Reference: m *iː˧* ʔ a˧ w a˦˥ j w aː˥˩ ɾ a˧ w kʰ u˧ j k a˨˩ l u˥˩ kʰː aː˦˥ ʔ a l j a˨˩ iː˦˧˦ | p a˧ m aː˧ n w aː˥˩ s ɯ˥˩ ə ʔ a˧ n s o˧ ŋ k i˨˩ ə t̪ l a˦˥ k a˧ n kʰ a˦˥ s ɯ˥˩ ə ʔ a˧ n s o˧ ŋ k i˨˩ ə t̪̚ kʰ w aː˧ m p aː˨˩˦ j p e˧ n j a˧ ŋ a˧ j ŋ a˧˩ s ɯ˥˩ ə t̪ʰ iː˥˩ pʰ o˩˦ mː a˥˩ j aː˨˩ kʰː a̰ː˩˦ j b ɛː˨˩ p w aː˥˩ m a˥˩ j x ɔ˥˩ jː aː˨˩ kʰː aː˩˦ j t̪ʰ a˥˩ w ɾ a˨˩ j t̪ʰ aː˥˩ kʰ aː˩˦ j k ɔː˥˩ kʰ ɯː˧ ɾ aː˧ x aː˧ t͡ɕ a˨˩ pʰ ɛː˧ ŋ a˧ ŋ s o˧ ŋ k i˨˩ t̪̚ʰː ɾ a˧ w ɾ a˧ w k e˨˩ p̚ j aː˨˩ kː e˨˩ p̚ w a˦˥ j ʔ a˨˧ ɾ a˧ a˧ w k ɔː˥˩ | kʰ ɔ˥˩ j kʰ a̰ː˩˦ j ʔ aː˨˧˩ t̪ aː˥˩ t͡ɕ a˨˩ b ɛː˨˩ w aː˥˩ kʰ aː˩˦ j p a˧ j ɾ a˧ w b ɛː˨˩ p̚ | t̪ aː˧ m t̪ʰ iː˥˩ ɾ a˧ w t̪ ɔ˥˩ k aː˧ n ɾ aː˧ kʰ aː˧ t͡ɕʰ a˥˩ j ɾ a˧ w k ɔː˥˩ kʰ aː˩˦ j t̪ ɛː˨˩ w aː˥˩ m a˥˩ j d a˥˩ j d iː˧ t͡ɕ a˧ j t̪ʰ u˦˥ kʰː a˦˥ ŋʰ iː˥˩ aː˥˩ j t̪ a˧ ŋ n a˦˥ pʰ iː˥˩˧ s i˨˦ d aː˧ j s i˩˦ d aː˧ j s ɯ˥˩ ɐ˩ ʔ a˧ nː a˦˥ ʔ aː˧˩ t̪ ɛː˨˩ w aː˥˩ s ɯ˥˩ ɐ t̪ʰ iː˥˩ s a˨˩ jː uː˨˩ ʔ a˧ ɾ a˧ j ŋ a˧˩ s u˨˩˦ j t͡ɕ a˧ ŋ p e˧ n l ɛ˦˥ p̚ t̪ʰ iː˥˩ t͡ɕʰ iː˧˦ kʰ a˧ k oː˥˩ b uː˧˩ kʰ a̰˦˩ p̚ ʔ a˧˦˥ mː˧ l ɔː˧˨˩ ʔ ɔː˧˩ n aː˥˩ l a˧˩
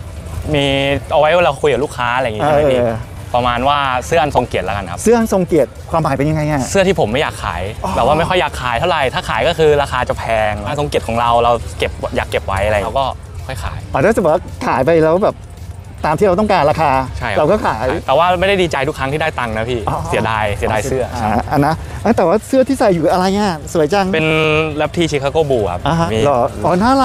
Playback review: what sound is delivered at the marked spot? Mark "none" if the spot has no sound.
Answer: iː˧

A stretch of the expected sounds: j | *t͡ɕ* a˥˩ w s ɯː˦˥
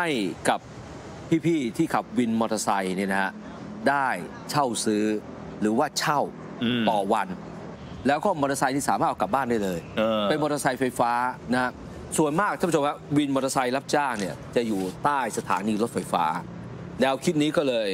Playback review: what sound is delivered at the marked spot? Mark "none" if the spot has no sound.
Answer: t͡ɕʰ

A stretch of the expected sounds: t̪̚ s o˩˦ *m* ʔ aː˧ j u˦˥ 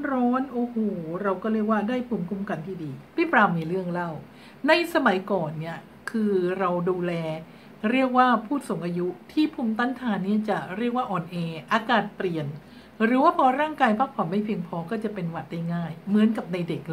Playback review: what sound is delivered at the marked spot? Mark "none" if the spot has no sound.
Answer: ŋ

